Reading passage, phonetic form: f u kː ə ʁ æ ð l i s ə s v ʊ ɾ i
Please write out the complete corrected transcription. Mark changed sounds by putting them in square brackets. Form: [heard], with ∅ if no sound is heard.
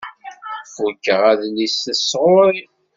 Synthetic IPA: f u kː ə ʁ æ ð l i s ə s [ʁ] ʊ ɾ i

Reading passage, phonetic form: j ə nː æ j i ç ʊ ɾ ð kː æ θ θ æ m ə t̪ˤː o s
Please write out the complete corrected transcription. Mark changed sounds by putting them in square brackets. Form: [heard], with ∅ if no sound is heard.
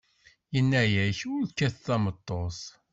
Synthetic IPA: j ə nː æ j [æ] ç ʊ ɾ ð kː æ θ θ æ m ə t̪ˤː o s

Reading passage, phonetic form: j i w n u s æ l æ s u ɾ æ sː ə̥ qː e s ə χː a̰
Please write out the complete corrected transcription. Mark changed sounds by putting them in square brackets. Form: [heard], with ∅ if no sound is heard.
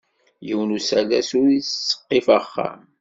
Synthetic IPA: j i w n u s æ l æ s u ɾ [i] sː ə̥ qː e [f] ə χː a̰

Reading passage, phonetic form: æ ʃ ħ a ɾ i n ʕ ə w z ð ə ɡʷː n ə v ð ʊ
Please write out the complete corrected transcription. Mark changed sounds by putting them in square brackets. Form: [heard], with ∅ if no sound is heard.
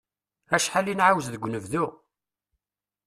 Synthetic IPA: æ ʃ ħ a [l] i n ʕ [a] w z ð ə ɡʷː n ə v ð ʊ

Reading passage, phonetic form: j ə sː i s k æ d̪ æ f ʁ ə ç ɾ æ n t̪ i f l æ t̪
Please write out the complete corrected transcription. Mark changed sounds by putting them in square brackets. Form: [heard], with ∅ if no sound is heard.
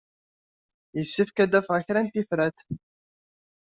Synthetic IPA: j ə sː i [f] k æ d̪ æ f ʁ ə ç ɾ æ n t̪ i f [ɾ] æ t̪

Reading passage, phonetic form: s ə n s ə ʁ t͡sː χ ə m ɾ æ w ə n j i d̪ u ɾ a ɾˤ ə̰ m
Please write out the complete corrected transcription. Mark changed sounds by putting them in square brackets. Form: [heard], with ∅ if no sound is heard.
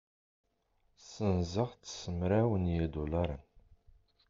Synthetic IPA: s ə n [z] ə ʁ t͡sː [s] ə m ɾ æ w ə n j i d̪ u [l] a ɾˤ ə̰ [n]

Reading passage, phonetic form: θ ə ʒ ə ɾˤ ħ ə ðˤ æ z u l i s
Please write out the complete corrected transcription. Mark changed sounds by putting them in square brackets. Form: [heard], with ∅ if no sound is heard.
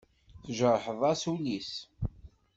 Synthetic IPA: θ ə ʒ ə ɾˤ ħ ə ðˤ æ [s] u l i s

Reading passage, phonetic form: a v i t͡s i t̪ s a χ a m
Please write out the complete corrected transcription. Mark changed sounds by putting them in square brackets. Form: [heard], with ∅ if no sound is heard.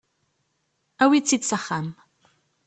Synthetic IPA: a [w] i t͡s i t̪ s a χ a m

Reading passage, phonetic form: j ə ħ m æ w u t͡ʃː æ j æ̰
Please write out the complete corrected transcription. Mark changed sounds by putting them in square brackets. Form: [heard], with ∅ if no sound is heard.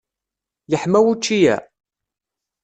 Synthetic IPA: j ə ħ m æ w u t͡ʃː [i] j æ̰

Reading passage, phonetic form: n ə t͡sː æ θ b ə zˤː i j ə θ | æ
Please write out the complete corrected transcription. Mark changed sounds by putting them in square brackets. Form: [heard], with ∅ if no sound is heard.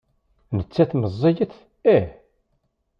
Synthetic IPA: n ə t͡sː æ θ [m] ə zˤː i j ə θ | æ

